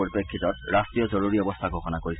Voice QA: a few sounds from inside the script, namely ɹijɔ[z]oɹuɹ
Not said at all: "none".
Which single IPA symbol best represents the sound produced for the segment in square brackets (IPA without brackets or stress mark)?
z